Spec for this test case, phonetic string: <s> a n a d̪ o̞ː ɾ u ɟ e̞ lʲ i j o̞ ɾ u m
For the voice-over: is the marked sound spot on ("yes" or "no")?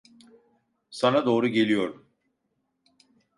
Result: yes